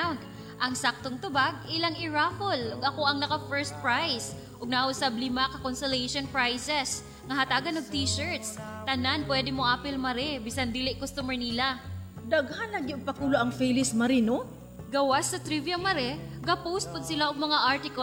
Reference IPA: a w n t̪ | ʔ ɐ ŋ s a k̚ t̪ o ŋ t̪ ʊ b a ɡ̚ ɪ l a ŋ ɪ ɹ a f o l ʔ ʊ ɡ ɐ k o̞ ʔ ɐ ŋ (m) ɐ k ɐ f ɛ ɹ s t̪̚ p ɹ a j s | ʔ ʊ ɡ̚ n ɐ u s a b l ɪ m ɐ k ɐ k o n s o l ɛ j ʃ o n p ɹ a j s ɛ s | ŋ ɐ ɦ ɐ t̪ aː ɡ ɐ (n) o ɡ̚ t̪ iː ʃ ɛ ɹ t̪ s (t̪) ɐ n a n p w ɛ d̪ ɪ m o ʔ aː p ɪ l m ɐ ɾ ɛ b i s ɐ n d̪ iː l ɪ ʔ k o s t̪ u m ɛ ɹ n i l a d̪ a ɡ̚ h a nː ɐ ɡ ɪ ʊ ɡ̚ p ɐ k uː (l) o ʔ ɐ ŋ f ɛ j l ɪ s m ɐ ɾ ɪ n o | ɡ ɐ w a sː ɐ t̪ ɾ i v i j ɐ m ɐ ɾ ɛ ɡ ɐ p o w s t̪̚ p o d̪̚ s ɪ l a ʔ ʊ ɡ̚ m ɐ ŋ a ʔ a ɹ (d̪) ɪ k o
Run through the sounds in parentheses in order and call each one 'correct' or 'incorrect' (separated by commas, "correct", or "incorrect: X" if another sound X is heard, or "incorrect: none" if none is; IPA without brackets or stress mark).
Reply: incorrect: n, correct, correct, correct, incorrect: t̪